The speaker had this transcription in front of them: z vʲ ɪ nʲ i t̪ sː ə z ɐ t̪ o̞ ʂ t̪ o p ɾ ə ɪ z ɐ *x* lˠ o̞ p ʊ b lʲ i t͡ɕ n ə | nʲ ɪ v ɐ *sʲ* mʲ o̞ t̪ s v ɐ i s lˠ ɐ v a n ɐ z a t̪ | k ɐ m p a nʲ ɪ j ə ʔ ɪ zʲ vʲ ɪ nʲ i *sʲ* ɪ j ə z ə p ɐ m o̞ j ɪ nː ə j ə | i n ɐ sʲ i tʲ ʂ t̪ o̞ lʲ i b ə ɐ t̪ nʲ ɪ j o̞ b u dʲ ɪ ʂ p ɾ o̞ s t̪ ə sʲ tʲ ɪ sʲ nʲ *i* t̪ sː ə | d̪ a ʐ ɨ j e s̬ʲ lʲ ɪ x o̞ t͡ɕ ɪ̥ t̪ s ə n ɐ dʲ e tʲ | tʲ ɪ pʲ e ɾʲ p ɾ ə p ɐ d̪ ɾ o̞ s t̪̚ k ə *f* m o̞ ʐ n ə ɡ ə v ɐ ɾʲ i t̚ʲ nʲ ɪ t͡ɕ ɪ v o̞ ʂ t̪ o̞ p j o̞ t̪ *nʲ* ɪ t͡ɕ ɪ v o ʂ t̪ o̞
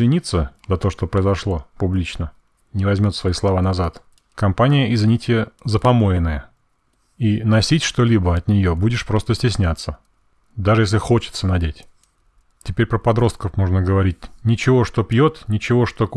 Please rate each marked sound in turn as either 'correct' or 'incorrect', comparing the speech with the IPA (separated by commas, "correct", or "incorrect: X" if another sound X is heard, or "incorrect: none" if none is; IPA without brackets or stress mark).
incorrect: ʂ, incorrect: zʲ, incorrect: tʲ, incorrect: a, correct, correct